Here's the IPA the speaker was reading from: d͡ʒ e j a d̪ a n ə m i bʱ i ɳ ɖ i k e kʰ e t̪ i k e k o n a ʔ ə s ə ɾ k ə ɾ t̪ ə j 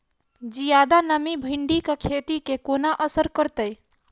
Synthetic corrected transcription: d͡ʒ i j a d̪ a n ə m i bʱ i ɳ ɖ i k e kʰ e t̪ i k e k o n a ʔ ə s ə ɾ k ə ɾ t̪ ə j